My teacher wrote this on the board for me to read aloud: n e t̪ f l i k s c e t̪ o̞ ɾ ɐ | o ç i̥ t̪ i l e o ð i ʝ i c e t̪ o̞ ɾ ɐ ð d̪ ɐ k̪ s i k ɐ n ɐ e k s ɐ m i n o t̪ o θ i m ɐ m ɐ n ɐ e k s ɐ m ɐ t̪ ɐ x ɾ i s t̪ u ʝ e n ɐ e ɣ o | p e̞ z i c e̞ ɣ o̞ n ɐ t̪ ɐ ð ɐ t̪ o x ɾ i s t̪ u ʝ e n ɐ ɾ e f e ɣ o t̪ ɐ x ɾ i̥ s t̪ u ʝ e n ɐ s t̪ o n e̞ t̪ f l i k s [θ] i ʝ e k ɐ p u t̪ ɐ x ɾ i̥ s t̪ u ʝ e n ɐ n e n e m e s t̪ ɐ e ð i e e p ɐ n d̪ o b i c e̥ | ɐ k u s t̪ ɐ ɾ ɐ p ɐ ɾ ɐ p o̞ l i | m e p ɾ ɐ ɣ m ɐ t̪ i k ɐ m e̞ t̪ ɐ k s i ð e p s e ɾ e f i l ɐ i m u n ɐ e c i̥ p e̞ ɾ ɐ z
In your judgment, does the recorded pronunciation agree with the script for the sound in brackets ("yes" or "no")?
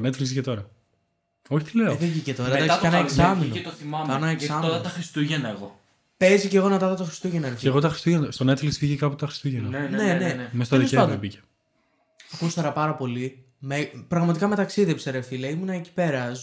no